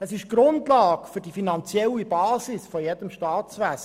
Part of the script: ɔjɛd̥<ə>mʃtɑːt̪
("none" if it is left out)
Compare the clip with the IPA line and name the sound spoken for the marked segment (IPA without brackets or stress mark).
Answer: ə